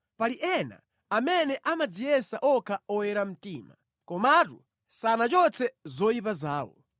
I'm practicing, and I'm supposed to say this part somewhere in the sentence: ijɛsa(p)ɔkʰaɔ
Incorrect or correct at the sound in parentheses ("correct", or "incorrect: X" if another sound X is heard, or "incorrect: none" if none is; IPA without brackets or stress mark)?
incorrect: ʔ